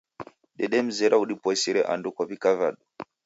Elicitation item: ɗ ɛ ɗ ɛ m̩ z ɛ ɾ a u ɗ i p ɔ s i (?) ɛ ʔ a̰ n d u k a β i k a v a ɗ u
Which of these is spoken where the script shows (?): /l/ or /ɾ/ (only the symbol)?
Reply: ɾ